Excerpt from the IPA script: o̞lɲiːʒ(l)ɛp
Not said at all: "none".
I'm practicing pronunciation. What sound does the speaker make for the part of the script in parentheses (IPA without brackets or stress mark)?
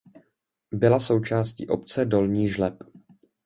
l